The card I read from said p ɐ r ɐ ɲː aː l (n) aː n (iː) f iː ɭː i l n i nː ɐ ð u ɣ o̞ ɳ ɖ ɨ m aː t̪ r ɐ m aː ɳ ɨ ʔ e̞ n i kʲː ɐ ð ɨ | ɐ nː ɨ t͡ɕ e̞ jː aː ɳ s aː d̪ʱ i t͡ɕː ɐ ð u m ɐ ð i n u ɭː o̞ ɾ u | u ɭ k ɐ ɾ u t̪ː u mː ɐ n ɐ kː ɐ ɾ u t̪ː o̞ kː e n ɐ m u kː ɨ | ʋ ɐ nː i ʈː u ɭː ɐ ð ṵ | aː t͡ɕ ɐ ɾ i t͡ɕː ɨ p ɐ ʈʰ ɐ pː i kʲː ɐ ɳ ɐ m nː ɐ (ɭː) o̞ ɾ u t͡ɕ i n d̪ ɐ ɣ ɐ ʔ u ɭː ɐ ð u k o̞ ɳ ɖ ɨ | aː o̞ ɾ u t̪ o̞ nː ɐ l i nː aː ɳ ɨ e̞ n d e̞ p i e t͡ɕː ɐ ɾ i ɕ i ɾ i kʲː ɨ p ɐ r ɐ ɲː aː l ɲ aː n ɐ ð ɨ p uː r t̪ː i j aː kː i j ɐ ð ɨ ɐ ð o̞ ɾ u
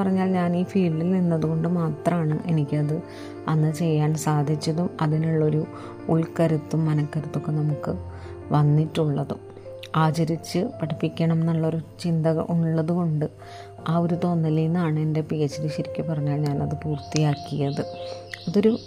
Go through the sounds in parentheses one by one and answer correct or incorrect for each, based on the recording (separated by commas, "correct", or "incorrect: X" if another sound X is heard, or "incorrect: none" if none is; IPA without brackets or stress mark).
incorrect: ɲ, correct, correct